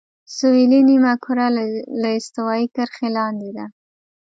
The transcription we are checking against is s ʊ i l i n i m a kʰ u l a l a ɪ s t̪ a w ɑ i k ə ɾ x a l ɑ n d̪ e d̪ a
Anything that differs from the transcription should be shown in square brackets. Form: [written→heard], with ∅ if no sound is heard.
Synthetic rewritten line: s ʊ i l i n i m a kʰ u [l→ɾ] a l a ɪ s t̪ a w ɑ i k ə ɾ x [a→e] l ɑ n d̪ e d̪ a